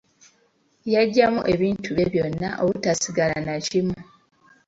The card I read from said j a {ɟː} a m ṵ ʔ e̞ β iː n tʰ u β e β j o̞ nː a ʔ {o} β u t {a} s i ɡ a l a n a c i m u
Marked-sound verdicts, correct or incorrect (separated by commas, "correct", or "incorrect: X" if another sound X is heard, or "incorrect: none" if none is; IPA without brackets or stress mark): correct, correct, correct